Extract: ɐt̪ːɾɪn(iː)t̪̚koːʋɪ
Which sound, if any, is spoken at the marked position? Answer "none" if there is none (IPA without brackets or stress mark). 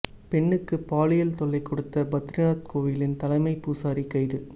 aː